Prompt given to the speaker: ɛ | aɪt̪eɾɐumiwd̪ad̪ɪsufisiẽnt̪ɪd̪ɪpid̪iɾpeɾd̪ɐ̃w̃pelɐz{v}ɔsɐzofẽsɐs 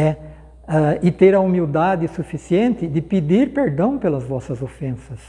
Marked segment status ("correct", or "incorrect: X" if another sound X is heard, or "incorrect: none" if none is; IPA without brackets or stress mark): correct